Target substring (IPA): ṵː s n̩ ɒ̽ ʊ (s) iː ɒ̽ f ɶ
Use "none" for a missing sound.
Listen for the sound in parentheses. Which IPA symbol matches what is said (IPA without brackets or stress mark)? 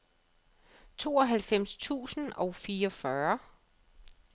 f